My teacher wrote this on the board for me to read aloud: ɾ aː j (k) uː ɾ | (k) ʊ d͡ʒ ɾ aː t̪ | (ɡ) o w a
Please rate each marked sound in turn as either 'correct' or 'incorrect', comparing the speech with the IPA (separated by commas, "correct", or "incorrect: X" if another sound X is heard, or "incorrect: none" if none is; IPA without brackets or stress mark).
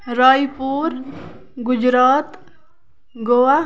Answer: incorrect: p, incorrect: ɡ, correct